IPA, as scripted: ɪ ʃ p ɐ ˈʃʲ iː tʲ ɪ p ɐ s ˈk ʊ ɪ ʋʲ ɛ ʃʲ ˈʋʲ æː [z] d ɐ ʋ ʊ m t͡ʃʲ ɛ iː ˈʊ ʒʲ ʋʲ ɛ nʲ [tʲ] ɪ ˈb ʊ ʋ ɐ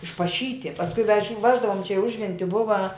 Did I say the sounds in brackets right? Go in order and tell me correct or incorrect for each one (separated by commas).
incorrect, correct